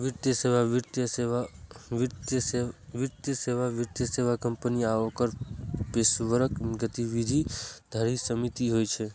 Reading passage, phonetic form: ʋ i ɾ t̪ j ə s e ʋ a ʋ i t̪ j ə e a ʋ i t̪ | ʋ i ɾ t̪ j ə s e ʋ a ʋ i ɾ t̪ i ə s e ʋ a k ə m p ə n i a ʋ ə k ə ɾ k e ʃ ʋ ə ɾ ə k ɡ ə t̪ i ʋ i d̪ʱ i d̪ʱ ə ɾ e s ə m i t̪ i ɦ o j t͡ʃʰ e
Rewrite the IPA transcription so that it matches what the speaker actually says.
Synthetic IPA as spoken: ʋ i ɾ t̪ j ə s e ʋ a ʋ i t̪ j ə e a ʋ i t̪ | ʋ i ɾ t̪ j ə s e ʋ a ʋ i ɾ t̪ j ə s e ʋ a k ə m p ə n i a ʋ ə k ə ɾ p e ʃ ʋ ə ɾ ə k ɡ ə t̪ i ʋ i d̪ʱ i d̪ʱ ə ɾ i s ə m i t̪ i ɦ o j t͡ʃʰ e